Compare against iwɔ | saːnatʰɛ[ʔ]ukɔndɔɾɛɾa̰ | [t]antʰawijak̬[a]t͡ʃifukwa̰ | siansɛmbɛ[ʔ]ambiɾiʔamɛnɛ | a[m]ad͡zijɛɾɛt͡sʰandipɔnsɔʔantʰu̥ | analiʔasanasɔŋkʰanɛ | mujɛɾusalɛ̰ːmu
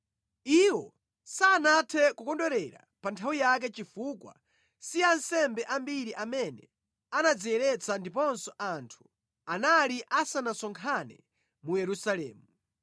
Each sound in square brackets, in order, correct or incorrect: incorrect: k, incorrect: p, incorrect: ɛ, correct, incorrect: n

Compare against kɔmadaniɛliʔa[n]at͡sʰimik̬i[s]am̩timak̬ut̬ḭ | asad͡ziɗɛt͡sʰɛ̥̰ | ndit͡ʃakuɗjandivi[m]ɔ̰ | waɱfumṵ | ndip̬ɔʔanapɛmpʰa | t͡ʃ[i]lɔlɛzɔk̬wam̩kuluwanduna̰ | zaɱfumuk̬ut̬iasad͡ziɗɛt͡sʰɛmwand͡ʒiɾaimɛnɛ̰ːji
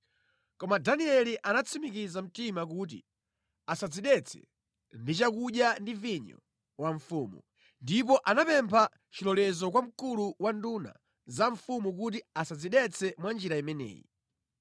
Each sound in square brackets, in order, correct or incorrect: correct, incorrect: z, incorrect: ɲ, correct

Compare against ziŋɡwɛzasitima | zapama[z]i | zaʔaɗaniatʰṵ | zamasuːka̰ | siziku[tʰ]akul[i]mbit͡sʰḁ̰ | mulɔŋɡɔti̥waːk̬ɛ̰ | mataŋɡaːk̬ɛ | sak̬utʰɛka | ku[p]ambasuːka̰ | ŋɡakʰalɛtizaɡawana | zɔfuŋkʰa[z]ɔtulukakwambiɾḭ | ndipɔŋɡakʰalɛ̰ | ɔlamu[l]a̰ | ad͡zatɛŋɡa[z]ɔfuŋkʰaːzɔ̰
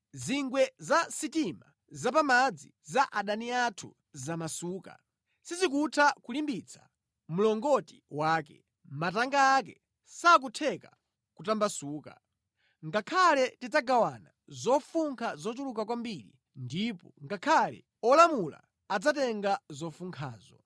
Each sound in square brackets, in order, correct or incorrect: incorrect: d͡z, correct, correct, incorrect: t, correct, correct, correct

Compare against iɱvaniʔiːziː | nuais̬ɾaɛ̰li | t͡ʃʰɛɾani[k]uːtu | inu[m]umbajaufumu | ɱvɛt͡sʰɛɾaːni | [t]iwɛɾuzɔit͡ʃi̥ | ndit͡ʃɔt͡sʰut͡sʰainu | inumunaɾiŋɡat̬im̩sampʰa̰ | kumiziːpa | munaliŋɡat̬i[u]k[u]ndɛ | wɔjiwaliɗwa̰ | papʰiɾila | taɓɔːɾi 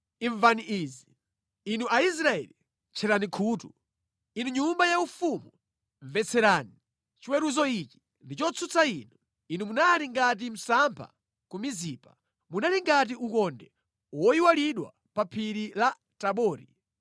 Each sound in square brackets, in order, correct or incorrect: incorrect: kʰ, incorrect: ɲ, incorrect: t͡ʃ, correct, incorrect: ɔ

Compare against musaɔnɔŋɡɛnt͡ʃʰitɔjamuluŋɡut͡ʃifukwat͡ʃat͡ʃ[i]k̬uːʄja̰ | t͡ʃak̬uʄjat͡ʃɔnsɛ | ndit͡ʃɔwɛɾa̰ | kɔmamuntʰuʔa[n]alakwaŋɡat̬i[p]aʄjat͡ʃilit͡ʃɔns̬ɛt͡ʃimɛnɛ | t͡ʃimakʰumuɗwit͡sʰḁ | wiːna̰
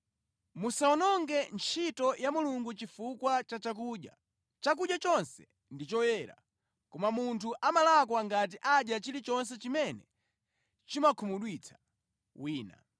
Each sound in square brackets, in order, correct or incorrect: incorrect: a, incorrect: m, incorrect: ʔ

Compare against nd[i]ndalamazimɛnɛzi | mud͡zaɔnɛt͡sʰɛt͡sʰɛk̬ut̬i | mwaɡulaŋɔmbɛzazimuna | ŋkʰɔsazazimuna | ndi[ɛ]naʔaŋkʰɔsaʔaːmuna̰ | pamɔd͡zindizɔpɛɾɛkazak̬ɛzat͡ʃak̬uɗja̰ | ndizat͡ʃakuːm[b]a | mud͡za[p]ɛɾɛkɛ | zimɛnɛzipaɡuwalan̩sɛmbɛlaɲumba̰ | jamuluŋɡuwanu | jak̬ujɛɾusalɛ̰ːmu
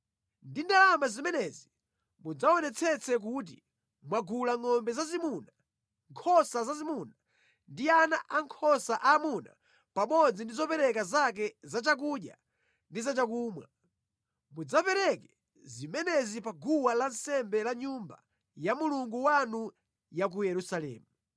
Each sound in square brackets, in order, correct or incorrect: correct, incorrect: a, incorrect: w, correct

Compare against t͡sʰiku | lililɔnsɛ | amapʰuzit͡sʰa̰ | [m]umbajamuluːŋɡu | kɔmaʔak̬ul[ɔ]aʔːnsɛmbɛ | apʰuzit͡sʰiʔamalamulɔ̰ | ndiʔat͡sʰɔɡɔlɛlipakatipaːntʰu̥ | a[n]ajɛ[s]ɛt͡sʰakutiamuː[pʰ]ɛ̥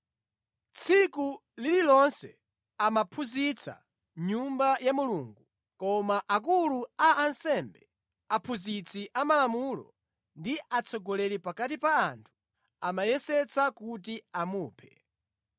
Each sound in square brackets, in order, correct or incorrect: incorrect: ɲ, incorrect: u, incorrect: m, correct, correct

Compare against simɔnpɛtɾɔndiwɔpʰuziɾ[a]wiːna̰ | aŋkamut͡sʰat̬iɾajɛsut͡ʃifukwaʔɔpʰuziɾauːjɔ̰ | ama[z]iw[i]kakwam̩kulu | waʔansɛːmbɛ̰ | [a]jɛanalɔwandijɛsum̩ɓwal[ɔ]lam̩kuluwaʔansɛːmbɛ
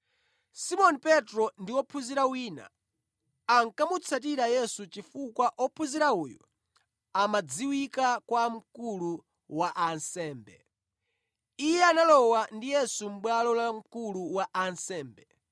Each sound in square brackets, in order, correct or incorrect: correct, incorrect: d͡z, correct, incorrect: i, correct

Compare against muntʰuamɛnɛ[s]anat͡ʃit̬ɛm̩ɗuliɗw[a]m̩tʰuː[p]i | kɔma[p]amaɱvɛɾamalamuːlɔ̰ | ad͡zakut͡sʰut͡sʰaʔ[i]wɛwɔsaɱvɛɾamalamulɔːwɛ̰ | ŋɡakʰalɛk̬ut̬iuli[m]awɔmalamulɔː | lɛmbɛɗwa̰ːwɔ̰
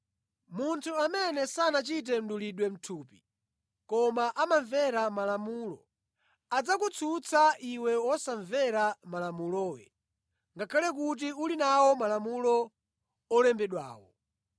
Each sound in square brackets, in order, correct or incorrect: correct, incorrect: ɛ, correct, incorrect: ʔ, correct, incorrect: n

